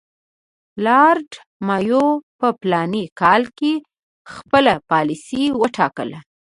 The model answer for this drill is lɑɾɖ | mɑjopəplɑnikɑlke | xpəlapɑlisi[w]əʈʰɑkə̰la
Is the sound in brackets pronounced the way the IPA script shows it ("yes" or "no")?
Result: yes